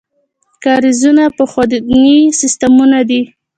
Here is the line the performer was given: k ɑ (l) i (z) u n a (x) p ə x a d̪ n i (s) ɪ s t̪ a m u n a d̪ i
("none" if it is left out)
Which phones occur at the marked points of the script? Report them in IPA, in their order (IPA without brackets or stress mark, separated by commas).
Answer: ɾ, z, none, s